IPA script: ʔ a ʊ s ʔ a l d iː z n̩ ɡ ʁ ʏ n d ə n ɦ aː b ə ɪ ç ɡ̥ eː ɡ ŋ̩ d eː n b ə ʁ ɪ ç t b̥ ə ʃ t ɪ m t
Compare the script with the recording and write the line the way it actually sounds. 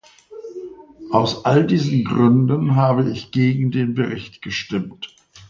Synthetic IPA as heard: ʔ a ʊ s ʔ a l d iː z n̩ ɡ ʁ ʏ n d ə n ɦ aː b ə ɪ ç ɡ̥ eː ɡ ŋ̩ d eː n b ə ʁ ɪ ç t ɡ̥ ə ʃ t ɪ m t

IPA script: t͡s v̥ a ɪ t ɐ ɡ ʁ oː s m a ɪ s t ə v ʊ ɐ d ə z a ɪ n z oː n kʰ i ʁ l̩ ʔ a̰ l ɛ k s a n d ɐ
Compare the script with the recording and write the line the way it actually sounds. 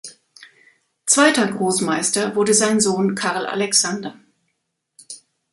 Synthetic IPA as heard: t͡s v̥ a ɪ t ɐ ɡ ʁ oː s m a ɪ s t ɐ v ʊ ɐ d ə z a ɪ n z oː n kʰ a ʁ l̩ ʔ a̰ l ɛ k s a n d ɐ

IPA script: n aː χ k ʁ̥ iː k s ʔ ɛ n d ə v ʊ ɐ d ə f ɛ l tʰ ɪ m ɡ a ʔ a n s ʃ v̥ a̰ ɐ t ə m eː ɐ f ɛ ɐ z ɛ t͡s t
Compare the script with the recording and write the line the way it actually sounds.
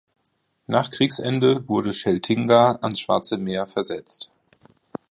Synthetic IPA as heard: n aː χ k ʁ̥ iː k s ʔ ɛ n d ə v ʊ ɐ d ə ʃ ɛ l tʰ ɪ ŋ ɡ a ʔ a n s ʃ v̥ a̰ ɐ t͡s ə m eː ɐ f ɛ ɐ z ɛ t͡s t

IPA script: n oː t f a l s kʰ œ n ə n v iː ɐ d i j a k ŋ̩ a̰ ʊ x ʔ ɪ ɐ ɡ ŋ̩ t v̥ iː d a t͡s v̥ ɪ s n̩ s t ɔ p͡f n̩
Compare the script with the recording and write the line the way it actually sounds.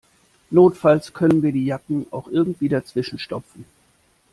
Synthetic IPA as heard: n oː t f a l s kʰ œ n ə n v iː ɐ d iː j a k ŋ̩ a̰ ʊ x ʔ ɪ ɐ ɡ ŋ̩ t v̥ iː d a t͡s v̥ ɪ ʃ n̩ ʃ t ɔ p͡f n̩

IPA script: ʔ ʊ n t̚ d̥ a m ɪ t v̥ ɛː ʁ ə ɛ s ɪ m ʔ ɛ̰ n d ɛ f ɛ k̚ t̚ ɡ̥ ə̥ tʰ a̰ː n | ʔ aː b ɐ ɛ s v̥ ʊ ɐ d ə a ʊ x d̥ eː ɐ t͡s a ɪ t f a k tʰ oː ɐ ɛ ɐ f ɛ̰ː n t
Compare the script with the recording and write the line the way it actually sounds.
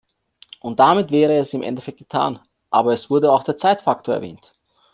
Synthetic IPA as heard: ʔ ʊ n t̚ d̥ a m ɪ t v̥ ɛː ʁ ə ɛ s ɪ m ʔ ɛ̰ n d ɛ f ɛ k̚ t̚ ɡ̥ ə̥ tʰ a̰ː n | ʔ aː b ɐ ɛ s v̥ ʊ ɐ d ə a ʊ x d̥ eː ɐ t͡s a ɪ t f a k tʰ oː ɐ ɛ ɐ v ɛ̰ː n t

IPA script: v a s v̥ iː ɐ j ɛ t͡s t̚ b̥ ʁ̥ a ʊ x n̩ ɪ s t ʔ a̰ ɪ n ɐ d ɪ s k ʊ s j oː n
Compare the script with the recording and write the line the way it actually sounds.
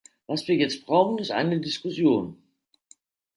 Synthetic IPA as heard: v a s v̥ iː ɐ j ɛ t͡s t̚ b̥ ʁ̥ a ʊ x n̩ ɪ s t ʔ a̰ ɪ n ə d ɪ s k ʊ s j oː n

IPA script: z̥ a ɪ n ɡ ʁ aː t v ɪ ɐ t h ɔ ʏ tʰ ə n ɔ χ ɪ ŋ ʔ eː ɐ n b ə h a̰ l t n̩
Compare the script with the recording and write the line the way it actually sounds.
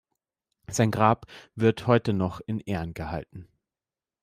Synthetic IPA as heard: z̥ a ɪ n ɡ ʁ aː p v ɪ ɐ t h ɔ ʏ t ə n ɔ χ ɪ n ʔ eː ɐ n ɡ ə h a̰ l t n̩

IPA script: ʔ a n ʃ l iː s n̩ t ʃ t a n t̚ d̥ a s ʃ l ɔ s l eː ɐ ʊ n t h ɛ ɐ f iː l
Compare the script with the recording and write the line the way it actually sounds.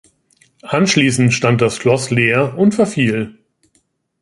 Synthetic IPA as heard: ʔ a n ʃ l iː s n̩ t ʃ t a n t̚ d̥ a s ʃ l ɔ s l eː ɐ ʊ n t f ɛ ɐ f iː l

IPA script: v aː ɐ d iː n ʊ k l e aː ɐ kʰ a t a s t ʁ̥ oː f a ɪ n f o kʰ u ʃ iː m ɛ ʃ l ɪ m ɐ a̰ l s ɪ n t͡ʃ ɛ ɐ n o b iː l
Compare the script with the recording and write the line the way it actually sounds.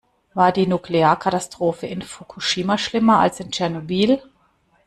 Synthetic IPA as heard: v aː ɐ d iː n u k l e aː ɐ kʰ a t a s t ʁ̥ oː f ə ɪ n f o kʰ u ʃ iː m a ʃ l ɪ m ɐ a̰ l s ɪ n t͡ʃ ɛ ɐ n o b iː l

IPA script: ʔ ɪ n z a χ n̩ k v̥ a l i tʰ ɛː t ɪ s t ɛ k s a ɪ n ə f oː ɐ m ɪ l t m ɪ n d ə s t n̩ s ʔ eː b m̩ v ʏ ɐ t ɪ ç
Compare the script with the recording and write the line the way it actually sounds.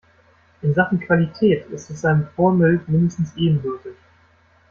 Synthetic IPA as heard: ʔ ɪ n z a χ n̩ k v̥ a l i tʰ ɛː t ɪ s t ɛ s a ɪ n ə f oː ɐ m ɪ l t m ɪ n d ə s t n̩ s ʔ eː b m̩ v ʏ ɐ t ɪ ç

